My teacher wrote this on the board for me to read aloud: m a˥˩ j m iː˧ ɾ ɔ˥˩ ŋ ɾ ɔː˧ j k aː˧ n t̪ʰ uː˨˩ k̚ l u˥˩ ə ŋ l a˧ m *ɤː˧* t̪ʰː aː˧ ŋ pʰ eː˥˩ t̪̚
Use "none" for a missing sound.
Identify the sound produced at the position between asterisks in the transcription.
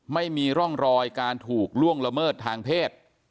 ɤː˥˩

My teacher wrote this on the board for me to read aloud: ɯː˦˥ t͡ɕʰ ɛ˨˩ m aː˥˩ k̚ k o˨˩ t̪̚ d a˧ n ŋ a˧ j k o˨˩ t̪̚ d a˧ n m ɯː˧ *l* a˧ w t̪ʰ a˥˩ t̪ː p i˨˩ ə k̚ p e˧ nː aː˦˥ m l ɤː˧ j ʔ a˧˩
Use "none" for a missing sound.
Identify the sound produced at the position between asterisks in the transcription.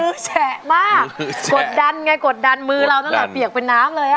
ɾ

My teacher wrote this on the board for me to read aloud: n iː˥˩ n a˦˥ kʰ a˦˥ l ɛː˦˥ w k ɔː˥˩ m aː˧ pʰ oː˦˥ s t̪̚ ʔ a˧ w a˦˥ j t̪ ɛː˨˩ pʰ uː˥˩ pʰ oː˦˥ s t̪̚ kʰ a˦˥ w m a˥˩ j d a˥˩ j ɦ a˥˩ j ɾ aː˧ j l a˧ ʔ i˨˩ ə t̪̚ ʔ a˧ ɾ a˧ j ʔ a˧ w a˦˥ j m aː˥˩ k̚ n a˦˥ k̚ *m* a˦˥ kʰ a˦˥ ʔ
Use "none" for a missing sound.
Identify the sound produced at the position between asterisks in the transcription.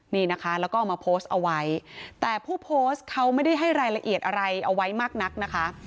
n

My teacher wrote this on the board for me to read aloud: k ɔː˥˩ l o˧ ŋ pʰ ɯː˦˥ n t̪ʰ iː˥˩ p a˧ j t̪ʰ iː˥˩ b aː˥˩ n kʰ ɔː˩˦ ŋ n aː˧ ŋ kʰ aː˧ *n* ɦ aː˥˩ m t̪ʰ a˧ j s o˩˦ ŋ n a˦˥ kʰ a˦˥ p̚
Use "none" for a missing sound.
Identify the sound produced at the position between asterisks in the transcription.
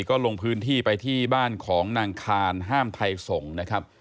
n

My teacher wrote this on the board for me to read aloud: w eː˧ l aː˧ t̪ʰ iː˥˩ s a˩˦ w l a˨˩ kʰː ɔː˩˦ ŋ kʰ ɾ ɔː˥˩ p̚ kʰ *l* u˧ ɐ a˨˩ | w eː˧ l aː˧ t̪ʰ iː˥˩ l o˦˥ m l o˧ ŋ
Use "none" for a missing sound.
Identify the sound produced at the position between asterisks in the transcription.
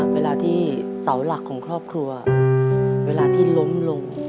ɾ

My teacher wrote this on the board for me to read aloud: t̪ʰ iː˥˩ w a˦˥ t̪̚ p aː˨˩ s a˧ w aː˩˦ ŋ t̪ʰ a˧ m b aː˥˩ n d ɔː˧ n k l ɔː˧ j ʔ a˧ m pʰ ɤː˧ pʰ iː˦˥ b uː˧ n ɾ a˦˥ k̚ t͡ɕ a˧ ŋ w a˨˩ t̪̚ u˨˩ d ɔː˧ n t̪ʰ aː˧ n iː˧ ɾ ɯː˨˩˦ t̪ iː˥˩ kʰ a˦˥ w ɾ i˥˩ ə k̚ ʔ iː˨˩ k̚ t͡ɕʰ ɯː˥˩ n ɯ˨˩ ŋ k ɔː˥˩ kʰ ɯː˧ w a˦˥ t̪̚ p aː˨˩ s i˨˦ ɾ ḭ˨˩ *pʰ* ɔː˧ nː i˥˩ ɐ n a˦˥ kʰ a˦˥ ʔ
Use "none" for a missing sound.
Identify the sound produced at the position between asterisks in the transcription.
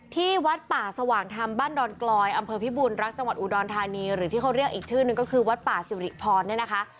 pʰ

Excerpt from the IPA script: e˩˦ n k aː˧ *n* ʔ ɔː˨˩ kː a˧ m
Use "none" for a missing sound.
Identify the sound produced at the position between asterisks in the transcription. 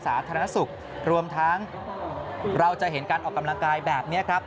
n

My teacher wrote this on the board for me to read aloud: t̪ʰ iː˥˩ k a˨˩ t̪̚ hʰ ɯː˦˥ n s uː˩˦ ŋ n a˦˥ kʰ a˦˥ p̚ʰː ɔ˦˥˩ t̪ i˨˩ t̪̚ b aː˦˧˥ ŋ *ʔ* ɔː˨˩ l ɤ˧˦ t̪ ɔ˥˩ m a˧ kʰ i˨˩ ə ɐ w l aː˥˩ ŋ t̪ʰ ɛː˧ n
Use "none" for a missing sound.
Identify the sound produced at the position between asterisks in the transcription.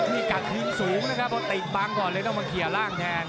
k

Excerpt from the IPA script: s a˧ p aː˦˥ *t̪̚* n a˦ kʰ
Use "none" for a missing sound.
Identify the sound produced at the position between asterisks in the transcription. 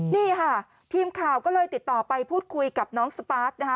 t̪̚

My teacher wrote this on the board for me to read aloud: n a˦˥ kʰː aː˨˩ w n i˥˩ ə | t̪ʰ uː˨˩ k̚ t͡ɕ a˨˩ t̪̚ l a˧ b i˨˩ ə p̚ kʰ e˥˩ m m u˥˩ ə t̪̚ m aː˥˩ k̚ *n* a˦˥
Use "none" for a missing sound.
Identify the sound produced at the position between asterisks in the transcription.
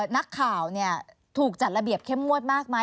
m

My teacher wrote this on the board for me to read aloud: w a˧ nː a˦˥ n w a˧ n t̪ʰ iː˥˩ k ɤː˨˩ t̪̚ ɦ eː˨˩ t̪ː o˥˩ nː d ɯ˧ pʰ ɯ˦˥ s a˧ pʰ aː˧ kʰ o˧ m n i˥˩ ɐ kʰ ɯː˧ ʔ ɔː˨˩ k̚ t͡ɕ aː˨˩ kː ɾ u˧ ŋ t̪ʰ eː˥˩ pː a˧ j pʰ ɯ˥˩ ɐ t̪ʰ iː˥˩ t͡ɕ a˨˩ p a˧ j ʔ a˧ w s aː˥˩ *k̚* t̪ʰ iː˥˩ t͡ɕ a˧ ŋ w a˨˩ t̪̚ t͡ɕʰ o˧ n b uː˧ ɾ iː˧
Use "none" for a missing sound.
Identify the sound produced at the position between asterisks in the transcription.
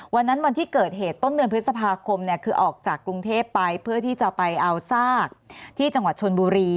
k̚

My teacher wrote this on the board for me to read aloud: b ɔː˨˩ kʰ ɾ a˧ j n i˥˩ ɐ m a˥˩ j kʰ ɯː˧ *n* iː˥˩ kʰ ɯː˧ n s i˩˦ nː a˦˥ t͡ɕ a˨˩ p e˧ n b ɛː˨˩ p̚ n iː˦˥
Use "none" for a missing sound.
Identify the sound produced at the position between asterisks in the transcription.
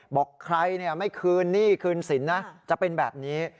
nː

